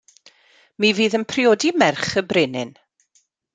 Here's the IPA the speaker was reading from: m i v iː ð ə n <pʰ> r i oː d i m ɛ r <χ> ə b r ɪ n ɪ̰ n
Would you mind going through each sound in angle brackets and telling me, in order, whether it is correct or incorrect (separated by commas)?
correct, correct